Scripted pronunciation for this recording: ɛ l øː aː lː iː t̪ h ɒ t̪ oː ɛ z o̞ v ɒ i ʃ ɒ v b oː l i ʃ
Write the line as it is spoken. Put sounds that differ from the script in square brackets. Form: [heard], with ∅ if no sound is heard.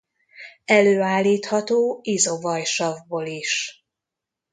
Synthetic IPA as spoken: ɛ l øː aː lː iː t̪ h ɒ t̪ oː [i] z o̞ v ɒ [j] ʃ ɒ v b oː l i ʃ